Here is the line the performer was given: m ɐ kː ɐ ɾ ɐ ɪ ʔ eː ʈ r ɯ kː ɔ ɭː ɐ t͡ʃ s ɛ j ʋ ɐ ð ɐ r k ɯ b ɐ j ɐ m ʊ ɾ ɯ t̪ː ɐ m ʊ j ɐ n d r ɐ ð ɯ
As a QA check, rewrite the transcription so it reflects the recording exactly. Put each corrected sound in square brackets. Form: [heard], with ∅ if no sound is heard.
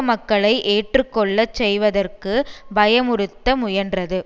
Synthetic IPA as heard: m ɐ kː ɐ [ɭ] ɐ ɪ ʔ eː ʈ r ɯ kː ɔ ɭː ɐ t͡ʃ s ɛ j ʋ ɐ ð ɐ r k ɯ b ɐ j ɐ m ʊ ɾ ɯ t̪ː ɐ m ʊ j ɐ n d r ɐ ð ɯ